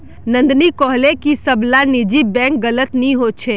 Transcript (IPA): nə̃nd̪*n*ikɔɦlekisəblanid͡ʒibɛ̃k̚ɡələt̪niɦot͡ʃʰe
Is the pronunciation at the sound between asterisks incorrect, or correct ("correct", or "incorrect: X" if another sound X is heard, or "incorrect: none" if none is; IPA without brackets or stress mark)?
correct